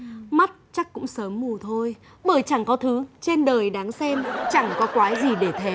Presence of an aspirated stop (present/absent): present